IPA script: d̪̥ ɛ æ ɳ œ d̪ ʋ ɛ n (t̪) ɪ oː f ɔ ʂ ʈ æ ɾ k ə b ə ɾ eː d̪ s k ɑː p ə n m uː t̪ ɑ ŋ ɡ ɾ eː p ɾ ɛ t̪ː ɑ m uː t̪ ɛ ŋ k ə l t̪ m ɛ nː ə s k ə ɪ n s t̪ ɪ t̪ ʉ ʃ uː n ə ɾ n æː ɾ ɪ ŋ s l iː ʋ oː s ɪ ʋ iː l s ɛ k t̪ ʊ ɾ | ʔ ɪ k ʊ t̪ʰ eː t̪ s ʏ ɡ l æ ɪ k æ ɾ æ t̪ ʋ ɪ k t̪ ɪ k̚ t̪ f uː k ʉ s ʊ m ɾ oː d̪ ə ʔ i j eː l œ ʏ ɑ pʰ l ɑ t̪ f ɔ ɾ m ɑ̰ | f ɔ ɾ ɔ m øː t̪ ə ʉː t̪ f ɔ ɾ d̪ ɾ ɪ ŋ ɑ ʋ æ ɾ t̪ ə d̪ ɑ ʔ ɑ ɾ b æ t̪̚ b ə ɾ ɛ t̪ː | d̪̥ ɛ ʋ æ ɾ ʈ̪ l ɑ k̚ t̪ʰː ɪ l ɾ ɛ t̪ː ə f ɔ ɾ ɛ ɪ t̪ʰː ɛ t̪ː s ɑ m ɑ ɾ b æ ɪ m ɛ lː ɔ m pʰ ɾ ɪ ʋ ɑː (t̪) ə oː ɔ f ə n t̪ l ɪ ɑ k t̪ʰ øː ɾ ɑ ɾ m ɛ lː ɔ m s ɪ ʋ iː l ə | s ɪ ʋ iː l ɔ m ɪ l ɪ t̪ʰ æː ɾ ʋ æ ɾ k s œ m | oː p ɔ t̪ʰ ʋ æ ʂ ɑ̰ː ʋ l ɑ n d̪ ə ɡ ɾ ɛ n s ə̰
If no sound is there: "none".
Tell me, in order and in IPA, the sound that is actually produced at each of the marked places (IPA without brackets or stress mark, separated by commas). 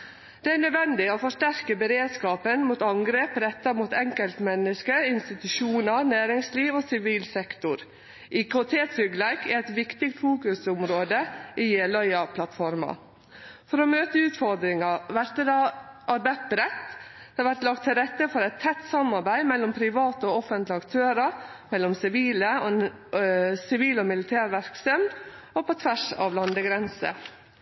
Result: d̪, t̪